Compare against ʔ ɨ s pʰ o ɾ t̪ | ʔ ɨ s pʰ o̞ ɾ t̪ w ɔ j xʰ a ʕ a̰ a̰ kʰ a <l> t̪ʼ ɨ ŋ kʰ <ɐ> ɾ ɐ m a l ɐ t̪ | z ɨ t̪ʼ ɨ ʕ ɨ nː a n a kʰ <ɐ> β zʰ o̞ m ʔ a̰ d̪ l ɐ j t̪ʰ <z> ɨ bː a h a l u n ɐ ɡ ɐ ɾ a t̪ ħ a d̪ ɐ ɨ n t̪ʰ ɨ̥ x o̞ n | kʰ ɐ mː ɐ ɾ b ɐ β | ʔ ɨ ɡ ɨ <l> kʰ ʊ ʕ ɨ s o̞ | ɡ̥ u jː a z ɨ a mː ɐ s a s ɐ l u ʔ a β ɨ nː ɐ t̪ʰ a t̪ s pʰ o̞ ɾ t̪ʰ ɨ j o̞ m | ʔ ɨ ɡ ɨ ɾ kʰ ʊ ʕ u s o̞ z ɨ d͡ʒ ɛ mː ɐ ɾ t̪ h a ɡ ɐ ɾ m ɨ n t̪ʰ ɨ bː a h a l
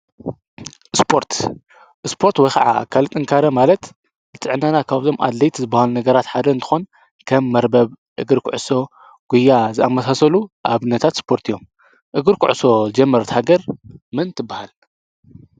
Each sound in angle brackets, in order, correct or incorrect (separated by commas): correct, incorrect, incorrect, correct, incorrect